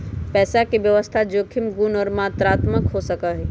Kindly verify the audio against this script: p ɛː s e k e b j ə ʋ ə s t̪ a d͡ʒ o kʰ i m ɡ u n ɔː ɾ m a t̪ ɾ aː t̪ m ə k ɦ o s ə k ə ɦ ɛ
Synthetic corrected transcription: p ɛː s a k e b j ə ʋ ə s t̪ʰ a d͡ʒ o kʰ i m ɡ u n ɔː ɾ m a t̪ ɾ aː t̪ m ə k ɦ o s ə k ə ɦ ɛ

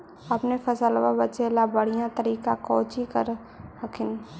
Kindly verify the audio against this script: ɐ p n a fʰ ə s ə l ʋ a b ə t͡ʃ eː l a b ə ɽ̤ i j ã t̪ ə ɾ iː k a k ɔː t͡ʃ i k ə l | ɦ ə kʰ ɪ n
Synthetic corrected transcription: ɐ p n e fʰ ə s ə l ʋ a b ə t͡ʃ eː l a b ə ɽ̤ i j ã t̪ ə ɾ iː k a k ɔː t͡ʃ i k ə ɾ | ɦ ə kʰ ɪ n

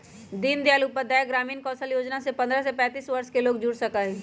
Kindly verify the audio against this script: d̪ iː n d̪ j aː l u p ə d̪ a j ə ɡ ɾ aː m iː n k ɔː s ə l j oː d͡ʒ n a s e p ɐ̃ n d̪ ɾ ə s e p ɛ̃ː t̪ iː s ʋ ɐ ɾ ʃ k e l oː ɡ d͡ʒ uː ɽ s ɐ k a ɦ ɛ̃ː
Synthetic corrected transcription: d̪ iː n d̪ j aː l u p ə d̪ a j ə ɡ ɾ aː m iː n k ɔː s ə l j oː d͡ʒ n a s e p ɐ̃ n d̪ ɾ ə s e p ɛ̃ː t̪ iː s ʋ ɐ ɾ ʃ k e l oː ɡ d͡ʒ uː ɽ s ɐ k a ɦ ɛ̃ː

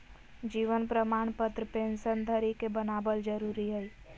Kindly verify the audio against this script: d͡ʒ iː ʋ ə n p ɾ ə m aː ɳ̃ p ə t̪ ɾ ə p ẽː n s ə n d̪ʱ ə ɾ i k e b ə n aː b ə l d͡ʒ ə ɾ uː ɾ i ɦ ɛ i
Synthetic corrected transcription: d͡ʒ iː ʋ ə n p ɾ ə m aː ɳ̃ p ə t̪ ɾ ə p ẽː n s ə n d̪ʱ ə ɾ i k e b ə n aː b ə l d͡ʒ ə ɾ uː ɾ i ɦ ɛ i

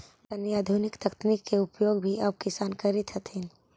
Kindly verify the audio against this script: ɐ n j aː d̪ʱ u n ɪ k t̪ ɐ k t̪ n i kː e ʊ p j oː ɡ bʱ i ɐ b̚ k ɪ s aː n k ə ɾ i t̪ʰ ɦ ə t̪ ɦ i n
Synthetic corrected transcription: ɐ n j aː d̪ʱ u n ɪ k t̪ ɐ k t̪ n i kː e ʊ p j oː ɡ bʱ i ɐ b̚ k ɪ s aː n k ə ɾ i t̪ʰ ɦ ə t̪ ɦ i n

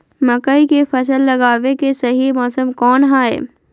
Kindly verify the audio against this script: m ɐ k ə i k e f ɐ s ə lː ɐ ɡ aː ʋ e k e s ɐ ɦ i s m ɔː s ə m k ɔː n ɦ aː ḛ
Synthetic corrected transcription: m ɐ k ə i k e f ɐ s ə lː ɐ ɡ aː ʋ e k e s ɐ ɦ i m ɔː s ə m k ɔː n ɦ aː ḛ

